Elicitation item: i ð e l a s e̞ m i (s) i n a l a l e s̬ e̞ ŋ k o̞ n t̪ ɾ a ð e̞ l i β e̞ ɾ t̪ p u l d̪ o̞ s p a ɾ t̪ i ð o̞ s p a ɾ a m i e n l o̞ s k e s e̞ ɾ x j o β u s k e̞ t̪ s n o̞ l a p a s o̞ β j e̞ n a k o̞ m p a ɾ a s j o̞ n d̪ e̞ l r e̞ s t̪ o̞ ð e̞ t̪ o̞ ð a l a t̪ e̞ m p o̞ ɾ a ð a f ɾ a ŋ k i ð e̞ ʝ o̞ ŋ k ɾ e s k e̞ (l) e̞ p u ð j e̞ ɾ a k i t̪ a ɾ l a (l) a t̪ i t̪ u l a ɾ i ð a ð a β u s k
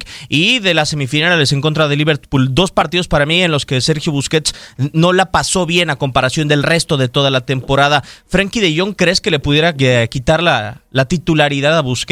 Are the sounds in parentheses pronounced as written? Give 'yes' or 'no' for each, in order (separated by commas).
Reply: no, yes, yes